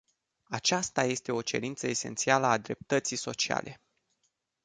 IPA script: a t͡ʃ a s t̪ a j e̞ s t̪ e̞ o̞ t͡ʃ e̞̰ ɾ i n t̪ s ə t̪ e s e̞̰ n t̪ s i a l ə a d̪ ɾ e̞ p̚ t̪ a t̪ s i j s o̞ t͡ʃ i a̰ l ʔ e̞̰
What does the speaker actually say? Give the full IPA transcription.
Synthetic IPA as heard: a t͡ʃ a s t̪ a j e̞ s t̪ e̞ o̞ t͡ʃ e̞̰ ɾ i n t̪ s ə e s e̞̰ n t̪ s i a l ə a d̪ ɾ e̞ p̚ t̪ ə t̪ s i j s o̞ t͡ʃ i a̰ l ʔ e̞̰